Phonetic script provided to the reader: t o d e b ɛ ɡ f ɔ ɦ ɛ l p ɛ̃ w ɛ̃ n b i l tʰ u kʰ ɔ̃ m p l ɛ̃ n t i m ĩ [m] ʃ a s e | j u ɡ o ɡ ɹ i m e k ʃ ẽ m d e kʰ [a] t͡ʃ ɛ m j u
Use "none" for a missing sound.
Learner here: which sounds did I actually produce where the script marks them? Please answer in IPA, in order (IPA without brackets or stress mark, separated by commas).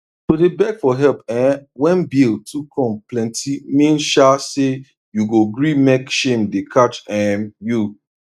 n, a